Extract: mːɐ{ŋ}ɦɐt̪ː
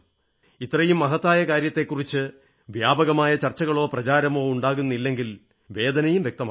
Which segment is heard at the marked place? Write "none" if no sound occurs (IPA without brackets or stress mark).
none